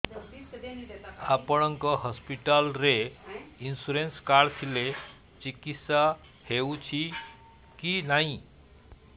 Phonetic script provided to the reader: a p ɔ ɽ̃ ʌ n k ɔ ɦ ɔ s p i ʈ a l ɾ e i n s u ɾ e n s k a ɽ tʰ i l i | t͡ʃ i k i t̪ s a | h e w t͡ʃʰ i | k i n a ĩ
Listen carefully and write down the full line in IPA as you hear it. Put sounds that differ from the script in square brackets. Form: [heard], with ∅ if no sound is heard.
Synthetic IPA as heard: a p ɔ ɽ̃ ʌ [ŋ] k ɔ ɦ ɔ s p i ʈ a l ɾ e i n s u ɾ e n s k a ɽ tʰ i l [e] | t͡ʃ i k i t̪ s a | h e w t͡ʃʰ i | k i n a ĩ